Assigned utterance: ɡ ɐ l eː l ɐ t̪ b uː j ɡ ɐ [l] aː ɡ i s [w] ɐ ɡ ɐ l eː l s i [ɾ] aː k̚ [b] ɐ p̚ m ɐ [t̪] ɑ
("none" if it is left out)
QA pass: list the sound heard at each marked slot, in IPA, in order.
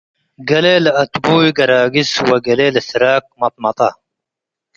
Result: ɾ, w, ɾ, m, t̪

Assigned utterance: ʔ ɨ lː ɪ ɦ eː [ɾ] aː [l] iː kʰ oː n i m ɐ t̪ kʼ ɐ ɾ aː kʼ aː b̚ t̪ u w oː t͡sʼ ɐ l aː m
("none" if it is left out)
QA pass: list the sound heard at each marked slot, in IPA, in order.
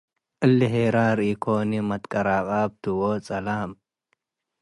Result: ɾ, ɾ

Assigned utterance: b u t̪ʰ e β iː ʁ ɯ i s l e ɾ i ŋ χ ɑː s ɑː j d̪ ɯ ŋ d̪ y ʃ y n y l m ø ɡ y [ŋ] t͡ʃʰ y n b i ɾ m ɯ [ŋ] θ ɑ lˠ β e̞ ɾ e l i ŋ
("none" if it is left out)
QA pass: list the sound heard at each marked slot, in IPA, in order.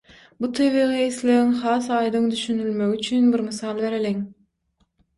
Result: none, none

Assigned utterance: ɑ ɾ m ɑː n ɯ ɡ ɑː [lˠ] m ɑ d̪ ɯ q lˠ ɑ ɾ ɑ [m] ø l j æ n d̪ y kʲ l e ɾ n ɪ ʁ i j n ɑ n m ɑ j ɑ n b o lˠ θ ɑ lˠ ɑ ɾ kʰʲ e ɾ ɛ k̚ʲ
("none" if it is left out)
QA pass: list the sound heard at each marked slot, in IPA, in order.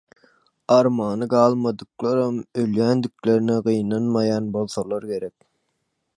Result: lˠ, m

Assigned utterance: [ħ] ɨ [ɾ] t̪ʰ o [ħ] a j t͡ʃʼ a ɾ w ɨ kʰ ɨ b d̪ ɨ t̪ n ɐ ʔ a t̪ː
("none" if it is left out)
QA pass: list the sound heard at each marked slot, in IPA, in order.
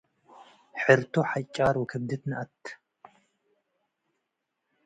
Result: ħ, ɾ, ħ

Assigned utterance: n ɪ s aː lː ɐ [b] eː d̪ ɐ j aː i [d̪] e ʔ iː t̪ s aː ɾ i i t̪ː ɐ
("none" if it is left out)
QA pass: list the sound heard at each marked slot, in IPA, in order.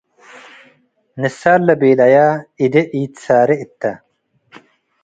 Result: b, d̪

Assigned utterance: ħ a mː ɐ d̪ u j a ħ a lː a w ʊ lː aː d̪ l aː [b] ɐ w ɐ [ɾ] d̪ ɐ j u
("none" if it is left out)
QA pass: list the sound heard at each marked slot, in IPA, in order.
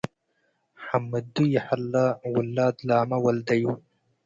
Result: m, l

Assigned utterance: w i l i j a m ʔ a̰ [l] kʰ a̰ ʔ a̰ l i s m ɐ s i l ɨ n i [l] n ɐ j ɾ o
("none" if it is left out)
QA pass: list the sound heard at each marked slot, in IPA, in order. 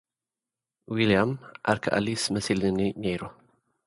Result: ɾ, none

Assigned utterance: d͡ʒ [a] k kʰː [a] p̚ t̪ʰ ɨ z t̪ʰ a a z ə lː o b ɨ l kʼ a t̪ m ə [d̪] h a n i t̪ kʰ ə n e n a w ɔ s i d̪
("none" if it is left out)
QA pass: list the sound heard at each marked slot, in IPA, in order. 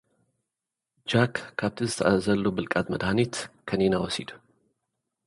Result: a, a, d̪

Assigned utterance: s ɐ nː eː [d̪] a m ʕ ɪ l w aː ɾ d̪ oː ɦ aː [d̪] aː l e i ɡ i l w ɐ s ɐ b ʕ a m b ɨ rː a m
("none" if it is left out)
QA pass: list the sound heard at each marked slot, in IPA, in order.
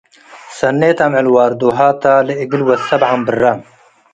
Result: t̪, t̪

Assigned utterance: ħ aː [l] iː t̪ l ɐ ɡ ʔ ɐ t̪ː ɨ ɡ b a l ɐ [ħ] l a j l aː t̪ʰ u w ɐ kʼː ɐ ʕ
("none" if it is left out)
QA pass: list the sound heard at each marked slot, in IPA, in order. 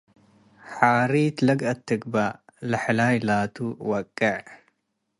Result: ɾ, ħ

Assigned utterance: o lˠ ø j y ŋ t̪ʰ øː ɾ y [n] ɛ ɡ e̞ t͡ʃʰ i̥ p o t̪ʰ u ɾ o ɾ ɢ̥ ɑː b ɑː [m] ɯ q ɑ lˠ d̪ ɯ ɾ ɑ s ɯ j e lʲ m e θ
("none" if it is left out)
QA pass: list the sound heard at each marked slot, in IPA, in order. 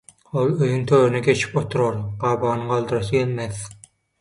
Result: n, n

